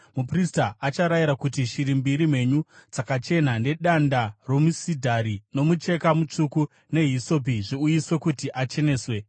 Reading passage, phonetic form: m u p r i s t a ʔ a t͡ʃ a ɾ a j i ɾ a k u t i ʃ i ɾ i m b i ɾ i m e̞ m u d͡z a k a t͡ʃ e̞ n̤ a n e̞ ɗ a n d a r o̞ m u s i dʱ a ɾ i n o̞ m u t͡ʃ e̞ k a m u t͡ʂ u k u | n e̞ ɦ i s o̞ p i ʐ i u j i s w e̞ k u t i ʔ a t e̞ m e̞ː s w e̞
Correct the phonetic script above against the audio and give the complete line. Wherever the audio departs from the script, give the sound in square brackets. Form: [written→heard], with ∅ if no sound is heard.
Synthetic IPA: m u p r i s t a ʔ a t͡ʃ a ɾ a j i ɾ a k u t i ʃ i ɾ i m b i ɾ i m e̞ [m→ɲ] u d͡z a k a t͡ʃ e̞ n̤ a n e̞ ɗ a n d a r o̞ m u s i dʱ a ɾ i n o̞ m u t͡ʃ e̞ k a m u t͡ʂ u k u | n e̞ ɦ i s o̞ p i ʐ i u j i s w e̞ k u t i ʔ a [t→t͡ʃ] e̞ [m→n] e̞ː s w e̞